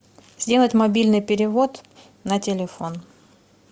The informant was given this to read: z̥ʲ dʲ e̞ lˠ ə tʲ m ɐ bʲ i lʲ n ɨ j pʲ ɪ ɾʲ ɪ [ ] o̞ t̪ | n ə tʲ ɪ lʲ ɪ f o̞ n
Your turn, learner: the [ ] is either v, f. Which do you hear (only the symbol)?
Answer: v